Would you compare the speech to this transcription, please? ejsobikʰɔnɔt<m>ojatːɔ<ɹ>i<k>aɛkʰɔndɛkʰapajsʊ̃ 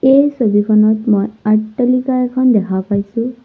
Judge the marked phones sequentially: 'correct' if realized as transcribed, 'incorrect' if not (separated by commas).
correct, incorrect, correct